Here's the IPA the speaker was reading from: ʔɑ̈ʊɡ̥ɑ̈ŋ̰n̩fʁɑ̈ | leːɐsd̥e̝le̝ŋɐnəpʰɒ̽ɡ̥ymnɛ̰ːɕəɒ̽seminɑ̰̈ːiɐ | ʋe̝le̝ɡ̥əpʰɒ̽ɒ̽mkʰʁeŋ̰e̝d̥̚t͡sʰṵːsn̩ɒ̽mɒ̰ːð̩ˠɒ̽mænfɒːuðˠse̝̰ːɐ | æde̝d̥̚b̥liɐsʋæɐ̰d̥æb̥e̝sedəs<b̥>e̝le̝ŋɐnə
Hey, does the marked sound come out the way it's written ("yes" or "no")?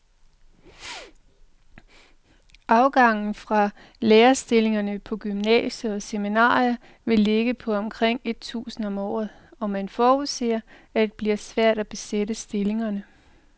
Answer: no